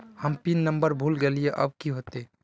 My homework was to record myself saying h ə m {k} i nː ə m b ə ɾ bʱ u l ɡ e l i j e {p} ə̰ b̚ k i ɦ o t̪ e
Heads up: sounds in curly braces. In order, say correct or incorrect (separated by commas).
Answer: incorrect, incorrect